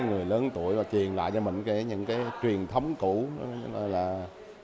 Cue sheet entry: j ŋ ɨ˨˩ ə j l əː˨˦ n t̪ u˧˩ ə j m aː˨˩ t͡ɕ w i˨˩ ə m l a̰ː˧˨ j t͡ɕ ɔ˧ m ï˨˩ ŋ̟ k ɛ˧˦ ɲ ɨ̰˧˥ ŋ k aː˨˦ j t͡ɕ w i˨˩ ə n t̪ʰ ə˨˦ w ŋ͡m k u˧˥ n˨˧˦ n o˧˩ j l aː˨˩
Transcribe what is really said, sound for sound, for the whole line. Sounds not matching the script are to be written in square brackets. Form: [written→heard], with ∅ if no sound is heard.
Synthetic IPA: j ŋ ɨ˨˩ ə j l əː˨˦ n t̪ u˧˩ ə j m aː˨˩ t͡ɕ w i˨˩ ə [m→n] l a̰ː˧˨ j t͡ɕ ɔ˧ m ï˨˩ ŋ̟ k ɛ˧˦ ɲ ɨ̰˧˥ ŋ k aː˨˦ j t͡ɕ w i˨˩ ə n t̪ʰ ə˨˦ w ŋ͡m k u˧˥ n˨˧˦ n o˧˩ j l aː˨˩